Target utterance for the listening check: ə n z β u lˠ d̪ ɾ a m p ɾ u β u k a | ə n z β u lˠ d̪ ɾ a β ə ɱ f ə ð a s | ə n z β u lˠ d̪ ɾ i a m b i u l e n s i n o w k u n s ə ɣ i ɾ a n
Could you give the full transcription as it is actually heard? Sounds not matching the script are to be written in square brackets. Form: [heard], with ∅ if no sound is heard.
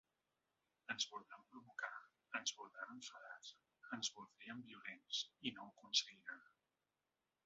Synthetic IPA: ə n z β u lˠ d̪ ɾ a m p ɾ u β u k a | ə n z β u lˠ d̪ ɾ a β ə ɱ f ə ð a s | ə n z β u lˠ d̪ ɾ i [ə] m b i u l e n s i n o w k u n s ə ɣ i ɾ a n